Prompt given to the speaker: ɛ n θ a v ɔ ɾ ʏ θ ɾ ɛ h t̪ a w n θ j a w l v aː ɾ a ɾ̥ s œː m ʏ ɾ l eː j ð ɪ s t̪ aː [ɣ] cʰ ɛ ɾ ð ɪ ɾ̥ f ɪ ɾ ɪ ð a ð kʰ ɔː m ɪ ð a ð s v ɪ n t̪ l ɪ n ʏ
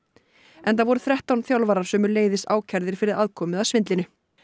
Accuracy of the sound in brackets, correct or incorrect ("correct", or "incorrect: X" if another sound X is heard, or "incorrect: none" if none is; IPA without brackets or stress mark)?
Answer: incorrect: w